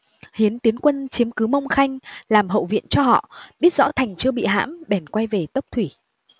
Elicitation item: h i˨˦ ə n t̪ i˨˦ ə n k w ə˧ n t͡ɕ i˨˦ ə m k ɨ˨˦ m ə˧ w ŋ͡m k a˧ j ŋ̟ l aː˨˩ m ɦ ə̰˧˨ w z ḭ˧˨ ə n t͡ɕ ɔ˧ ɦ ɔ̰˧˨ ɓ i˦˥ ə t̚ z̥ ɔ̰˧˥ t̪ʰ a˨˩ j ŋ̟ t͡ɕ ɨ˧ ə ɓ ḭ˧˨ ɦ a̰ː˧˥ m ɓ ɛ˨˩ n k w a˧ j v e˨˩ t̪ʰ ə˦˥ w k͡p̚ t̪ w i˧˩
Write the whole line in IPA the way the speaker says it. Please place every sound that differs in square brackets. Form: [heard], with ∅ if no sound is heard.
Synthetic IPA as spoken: h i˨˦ ə n t̪ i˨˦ ə n k w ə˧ n t͡ɕ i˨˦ ə m k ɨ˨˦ m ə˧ w ŋ͡m [x] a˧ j ŋ̟ l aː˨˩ m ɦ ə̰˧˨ w [v] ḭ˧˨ ə n t͡ɕ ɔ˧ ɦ ɔ̰˧˨ ɓ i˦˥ ə t̚ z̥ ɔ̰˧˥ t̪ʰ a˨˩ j ŋ̟ t͡ɕ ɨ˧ ə ɓ ḭ˧˨ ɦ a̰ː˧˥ m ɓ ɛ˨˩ n k w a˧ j v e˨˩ [t̪] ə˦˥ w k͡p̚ [t̪ʰ] w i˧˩